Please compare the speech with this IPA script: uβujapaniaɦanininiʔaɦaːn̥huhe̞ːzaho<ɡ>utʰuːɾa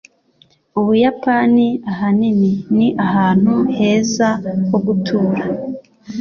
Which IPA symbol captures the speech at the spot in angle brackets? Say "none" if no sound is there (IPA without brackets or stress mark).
ɡ